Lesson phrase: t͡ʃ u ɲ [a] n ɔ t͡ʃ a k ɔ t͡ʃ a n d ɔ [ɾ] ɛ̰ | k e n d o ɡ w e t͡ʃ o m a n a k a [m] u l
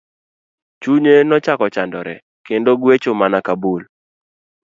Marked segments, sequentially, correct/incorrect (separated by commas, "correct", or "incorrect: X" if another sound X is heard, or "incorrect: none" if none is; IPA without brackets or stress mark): incorrect: e, correct, incorrect: b